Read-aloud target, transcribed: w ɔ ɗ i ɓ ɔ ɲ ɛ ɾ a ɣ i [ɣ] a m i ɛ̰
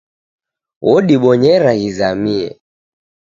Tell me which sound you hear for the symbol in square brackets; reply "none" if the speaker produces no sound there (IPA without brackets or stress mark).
z